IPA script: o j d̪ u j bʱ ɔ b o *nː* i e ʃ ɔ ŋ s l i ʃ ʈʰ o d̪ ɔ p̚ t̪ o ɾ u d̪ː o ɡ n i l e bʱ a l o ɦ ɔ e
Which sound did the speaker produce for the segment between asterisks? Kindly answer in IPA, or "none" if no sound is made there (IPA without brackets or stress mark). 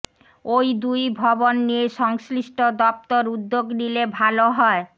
nː